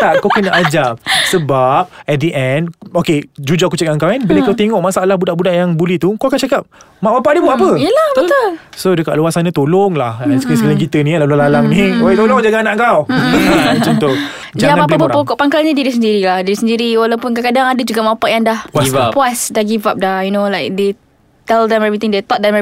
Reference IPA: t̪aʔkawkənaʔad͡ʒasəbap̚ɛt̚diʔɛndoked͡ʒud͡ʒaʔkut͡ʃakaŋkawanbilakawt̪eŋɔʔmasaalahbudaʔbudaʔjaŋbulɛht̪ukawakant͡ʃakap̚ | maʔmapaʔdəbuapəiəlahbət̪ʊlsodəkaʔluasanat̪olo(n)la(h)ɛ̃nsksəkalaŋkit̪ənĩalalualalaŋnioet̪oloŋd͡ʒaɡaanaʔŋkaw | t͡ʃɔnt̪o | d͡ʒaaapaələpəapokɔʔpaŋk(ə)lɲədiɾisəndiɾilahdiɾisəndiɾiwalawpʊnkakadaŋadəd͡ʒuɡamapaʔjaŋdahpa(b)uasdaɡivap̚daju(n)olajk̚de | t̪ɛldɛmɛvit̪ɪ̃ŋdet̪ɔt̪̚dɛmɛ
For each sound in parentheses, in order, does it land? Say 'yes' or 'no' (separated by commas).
no, yes, no, no, yes